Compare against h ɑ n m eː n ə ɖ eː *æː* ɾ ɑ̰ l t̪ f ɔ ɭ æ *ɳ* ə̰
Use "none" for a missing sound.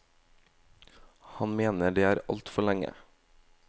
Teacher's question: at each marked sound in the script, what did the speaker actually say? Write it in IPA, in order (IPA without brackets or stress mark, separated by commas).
æː, ŋ